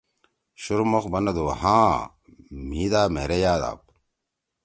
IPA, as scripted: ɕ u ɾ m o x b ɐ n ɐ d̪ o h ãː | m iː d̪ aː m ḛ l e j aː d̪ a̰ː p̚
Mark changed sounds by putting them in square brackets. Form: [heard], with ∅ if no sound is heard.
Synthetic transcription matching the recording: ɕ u ɾ m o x b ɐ n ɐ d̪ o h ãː | m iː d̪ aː m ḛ [ɾ] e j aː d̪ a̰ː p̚